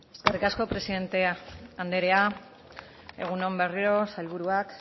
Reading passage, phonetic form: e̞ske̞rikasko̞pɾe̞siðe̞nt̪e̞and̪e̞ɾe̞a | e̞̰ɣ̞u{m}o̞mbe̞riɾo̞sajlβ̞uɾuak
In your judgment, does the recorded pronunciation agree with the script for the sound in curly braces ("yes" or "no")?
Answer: no